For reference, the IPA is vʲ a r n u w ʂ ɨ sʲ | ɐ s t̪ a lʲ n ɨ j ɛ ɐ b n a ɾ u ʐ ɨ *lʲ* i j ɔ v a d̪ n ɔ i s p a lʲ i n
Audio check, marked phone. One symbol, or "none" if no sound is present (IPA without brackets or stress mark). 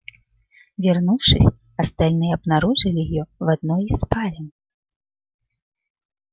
lʲ